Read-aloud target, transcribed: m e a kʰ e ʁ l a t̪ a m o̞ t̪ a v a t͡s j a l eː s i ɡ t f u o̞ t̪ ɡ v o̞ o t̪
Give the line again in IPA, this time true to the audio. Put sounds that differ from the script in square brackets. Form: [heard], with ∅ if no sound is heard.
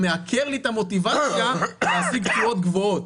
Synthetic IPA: m e a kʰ e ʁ l [i] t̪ a m o̞ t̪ [i] v a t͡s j a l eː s i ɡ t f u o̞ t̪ ɡ v o̞ o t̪